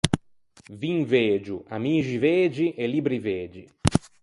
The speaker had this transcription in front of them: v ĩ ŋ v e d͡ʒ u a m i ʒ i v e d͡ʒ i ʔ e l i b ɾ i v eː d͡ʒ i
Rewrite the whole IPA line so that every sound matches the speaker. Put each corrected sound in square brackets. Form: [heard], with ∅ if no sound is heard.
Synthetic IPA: v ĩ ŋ v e d͡ʒ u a m i ʒ i v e d͡ʒ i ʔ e l i b ɾ i v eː d͡ʒ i